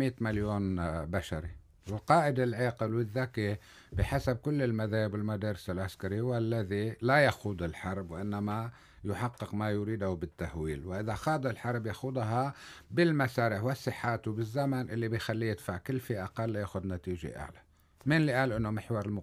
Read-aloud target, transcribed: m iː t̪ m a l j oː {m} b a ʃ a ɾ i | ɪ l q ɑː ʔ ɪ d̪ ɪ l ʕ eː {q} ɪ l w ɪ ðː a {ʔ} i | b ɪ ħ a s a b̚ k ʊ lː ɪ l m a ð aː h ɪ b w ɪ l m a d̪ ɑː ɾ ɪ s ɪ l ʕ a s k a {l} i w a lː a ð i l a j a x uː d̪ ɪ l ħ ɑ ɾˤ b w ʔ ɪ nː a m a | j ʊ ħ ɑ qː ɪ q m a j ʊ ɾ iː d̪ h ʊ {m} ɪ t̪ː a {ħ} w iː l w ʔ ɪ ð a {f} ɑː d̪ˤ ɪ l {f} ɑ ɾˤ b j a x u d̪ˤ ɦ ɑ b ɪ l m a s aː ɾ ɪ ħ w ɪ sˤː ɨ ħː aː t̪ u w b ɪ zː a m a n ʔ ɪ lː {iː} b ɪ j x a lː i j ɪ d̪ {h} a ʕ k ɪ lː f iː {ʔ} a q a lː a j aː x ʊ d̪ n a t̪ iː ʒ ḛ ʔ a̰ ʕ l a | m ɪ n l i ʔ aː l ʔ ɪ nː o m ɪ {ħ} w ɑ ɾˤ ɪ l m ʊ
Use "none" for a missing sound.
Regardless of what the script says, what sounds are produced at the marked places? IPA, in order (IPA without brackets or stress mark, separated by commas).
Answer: n, q, k, ɾ, b, h, x, ħ, i, f, ʔ, ħ